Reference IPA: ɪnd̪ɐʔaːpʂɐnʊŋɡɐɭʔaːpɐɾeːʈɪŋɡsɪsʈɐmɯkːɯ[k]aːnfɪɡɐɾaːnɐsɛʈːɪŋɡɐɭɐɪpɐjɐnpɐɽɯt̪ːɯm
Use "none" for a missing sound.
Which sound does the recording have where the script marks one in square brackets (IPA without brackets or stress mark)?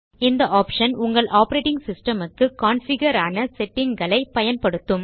k